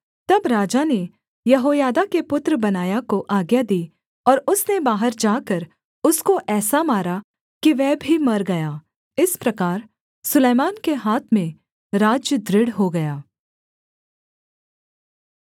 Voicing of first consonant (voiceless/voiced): voiceless